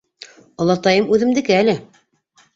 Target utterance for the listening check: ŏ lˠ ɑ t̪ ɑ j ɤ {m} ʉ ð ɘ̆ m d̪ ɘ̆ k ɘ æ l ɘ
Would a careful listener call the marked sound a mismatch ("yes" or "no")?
no